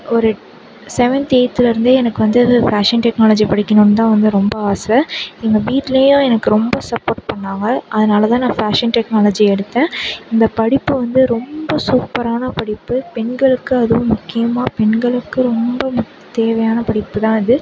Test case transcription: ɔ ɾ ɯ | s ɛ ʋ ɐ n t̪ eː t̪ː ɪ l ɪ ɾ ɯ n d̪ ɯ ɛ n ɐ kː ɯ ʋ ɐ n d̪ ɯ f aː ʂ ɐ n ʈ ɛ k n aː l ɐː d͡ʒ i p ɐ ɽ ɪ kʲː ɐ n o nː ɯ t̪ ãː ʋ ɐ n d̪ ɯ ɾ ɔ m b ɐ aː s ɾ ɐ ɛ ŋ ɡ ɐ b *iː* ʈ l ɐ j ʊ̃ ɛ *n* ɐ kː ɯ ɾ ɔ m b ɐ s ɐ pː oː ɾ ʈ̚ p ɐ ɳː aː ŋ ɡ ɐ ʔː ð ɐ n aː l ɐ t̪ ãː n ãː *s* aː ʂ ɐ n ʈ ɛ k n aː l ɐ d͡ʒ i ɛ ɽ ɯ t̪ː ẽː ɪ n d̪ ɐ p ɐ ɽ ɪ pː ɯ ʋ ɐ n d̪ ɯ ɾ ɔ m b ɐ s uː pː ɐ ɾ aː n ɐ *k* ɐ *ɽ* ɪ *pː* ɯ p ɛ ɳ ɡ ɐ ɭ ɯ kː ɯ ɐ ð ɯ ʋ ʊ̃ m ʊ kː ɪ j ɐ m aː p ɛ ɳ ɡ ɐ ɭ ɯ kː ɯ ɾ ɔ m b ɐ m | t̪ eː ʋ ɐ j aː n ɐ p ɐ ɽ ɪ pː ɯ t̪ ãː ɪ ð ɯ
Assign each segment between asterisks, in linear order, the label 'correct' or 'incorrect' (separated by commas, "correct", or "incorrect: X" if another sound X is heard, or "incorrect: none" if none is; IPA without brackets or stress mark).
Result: correct, correct, incorrect: f, incorrect: p, correct, correct